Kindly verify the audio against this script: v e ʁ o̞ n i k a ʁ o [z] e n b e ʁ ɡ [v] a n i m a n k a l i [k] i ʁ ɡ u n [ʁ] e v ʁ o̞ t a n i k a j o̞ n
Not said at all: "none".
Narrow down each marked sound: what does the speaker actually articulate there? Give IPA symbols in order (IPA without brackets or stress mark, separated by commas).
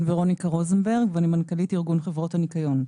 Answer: z, v, t, χ